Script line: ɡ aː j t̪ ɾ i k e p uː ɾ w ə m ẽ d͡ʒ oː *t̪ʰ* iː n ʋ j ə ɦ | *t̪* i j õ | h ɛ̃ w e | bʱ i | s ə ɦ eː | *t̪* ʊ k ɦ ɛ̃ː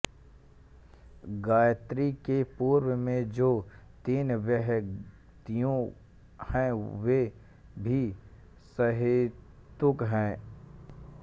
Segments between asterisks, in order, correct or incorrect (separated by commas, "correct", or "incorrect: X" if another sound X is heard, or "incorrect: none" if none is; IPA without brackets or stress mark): incorrect: t̪, correct, correct